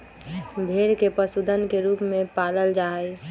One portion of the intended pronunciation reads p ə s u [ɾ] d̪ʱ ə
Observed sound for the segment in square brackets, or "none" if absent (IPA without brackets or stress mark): none